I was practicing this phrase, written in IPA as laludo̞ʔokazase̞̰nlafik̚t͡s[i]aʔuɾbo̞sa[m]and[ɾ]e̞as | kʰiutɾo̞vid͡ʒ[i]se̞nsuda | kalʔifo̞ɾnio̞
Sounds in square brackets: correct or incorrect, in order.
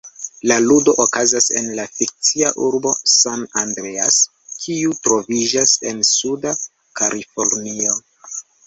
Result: correct, incorrect: n, correct, incorrect: a

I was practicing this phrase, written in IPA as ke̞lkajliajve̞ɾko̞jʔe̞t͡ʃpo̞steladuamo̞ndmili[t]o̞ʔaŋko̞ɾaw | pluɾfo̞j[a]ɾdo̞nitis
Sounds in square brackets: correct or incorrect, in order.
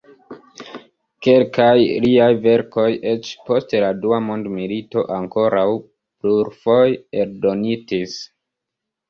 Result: correct, incorrect: e

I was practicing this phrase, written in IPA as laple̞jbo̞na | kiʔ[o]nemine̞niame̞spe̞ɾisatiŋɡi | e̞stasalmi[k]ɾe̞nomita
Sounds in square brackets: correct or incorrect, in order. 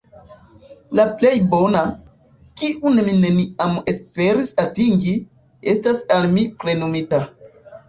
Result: incorrect: u, incorrect: p

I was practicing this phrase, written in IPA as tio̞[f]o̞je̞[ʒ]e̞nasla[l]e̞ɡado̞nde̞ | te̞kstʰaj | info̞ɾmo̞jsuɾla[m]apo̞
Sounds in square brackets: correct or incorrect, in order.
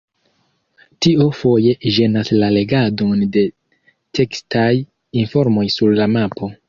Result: correct, correct, correct, correct

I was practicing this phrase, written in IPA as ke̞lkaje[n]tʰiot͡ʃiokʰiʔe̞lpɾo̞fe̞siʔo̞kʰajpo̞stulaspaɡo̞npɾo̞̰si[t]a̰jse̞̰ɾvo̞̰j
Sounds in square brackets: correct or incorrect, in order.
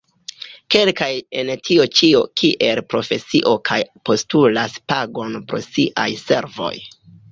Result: correct, incorrect: ʔ

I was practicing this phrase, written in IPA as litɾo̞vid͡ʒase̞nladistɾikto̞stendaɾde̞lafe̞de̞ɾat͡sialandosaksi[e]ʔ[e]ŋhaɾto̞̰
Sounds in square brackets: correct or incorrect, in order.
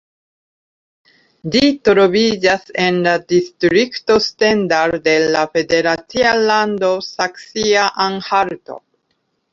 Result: incorrect: a, incorrect: a

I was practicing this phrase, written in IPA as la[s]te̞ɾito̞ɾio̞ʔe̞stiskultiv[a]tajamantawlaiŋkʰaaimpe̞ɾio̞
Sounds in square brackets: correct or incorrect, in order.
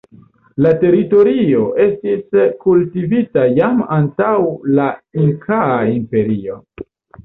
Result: incorrect: none, incorrect: i

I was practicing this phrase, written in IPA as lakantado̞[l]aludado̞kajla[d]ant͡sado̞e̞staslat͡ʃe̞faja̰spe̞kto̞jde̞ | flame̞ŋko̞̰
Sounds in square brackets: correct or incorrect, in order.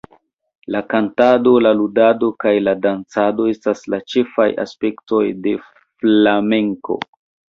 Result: correct, correct

